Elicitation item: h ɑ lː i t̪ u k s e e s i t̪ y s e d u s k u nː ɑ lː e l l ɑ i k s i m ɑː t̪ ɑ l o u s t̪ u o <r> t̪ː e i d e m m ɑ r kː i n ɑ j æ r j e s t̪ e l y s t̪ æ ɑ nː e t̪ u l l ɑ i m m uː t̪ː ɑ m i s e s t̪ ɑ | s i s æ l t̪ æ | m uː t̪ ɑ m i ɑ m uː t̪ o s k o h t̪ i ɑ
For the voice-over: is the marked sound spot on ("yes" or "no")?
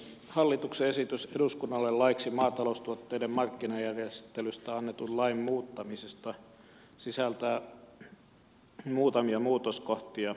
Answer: no